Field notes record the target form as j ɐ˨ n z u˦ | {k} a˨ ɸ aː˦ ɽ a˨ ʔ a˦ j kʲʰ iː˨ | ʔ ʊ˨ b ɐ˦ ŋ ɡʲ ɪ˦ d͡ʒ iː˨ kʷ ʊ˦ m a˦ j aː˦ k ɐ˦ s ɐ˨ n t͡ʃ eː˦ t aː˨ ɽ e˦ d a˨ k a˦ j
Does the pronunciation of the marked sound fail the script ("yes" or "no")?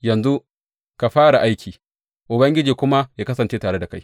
no